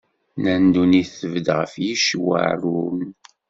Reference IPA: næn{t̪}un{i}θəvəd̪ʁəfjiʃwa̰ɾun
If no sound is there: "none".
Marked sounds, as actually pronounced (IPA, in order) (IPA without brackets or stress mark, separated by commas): d̪, i